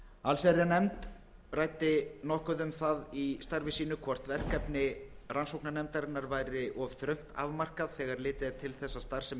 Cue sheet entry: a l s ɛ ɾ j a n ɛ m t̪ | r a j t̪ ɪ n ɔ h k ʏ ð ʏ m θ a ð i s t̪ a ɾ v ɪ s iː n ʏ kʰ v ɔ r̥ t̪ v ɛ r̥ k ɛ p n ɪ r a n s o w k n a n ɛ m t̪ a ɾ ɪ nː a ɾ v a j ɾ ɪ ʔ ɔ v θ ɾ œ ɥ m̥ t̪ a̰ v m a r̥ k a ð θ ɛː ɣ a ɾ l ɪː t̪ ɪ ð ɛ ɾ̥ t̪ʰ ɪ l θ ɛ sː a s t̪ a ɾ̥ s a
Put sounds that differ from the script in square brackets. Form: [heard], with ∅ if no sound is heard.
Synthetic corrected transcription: a l s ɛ ɾ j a n ɛ m t̪ | r a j t̪ ɪ n ɔ h k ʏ ð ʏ m θ a ð i s t̪ a ɾ v ɪ s iː n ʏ kʰ v ɔ r̥ t̪ v ɛ r̥ k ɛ p n ɪ r a n s o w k n a n ɛ m t̪ a ɾ ɪ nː a ɾ v a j ɾ ɪ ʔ ɔ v θ ɾ œ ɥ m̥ t̪ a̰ v m a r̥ k a ð θ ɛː ɣ a ɾ l ɪː t̪ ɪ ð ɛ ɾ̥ t̪ʰ ɪ l θ ɛ sː a s t̪ a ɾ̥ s [ɛ]